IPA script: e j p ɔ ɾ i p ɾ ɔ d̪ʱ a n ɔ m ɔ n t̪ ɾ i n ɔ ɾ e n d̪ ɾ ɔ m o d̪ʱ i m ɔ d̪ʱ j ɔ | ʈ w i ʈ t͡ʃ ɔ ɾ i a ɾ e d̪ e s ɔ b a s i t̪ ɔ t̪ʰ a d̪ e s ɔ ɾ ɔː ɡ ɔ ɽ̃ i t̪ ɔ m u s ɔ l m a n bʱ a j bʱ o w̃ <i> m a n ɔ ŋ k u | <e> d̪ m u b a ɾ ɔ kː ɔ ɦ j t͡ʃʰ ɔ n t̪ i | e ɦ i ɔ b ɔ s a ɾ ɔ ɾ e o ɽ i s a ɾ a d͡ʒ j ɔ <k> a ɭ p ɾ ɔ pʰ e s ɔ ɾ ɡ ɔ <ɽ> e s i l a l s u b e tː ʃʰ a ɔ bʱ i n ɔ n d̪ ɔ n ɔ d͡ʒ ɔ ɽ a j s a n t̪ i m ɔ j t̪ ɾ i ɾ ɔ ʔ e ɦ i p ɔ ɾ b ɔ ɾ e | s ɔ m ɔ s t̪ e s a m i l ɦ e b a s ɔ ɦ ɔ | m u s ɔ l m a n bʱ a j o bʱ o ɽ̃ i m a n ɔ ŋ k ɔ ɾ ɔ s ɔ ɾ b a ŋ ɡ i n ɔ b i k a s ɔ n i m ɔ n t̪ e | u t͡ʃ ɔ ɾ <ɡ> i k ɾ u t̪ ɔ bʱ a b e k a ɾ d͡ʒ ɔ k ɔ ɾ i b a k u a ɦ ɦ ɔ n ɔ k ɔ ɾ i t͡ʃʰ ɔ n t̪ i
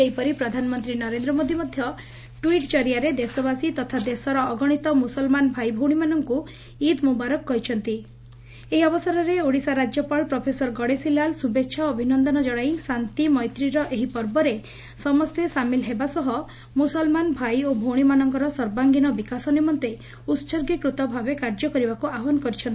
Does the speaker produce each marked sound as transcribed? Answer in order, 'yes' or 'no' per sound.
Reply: yes, no, no, yes, yes

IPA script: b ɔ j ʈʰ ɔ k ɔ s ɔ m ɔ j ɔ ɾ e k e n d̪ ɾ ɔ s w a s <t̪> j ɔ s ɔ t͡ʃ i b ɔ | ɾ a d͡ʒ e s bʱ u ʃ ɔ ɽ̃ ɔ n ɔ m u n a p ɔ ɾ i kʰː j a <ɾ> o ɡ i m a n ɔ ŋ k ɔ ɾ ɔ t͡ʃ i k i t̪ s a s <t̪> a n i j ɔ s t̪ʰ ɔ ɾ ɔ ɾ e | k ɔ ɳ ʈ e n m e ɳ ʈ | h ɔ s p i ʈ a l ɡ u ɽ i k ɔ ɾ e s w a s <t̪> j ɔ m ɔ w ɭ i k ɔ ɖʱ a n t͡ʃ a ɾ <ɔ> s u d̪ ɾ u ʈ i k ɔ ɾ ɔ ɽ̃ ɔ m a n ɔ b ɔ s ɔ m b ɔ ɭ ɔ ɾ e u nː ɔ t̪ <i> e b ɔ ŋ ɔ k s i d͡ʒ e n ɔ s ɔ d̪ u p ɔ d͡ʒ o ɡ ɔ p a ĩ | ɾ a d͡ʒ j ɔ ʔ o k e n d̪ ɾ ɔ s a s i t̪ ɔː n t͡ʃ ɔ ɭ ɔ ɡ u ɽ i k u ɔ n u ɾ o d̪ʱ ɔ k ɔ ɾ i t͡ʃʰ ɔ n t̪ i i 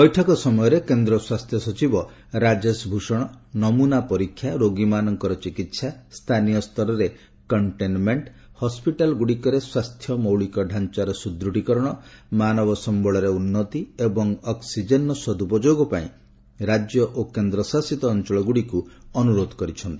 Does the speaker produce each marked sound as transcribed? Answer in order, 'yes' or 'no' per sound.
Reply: no, yes, no, no, yes, yes

